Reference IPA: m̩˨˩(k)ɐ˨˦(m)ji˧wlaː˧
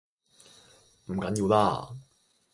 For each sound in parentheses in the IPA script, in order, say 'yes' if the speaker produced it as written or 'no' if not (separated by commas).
yes, no